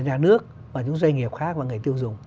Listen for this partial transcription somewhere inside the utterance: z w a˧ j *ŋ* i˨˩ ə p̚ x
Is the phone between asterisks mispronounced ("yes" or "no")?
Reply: no